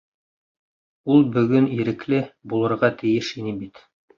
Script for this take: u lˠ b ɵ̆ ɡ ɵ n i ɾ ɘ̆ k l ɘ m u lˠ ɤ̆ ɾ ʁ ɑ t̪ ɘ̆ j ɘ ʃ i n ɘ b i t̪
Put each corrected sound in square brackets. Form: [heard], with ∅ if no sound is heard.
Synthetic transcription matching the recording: u lˠ b ɵ̆ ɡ ɵ n i ɾ ɘ̆ k l ɘ [b] u lˠ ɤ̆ ɾ ʁ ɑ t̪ ɘ̆ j ɘ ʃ i n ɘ b i t̪